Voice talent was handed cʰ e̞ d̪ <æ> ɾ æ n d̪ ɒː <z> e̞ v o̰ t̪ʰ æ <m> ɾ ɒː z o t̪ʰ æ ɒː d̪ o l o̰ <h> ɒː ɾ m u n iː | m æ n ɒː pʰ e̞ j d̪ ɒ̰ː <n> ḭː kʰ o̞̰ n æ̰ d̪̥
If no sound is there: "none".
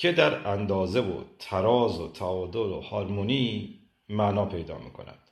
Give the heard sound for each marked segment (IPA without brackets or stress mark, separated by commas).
æ, z, none, h, m